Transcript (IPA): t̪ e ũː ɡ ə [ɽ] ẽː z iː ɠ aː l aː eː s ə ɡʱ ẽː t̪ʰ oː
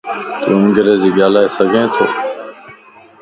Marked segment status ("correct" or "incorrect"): incorrect